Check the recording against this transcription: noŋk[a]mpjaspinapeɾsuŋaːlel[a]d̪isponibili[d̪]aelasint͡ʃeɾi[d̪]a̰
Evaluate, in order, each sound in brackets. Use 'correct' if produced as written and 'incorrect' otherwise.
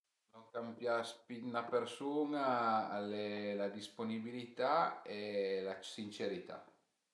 correct, correct, incorrect: t̪, incorrect: t̪

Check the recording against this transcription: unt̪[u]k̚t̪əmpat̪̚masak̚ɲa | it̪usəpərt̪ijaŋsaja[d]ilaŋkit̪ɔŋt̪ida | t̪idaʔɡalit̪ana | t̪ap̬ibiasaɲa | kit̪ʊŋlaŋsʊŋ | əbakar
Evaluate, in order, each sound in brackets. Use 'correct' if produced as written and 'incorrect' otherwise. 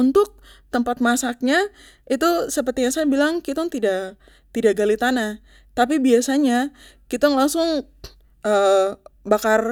incorrect: ʊ, incorrect: b

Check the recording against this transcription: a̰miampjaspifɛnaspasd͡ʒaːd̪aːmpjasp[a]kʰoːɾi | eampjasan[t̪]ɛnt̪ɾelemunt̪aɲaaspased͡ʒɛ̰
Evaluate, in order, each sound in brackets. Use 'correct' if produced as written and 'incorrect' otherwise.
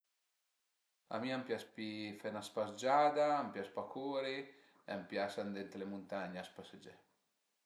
correct, incorrect: d̪

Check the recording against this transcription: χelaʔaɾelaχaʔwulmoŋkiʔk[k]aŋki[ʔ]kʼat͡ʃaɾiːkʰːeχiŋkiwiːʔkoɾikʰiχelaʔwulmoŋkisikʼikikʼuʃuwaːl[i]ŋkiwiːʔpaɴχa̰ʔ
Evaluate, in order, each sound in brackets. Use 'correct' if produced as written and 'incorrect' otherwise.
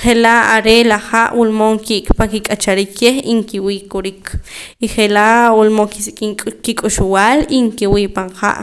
incorrect: p, incorrect: none, correct

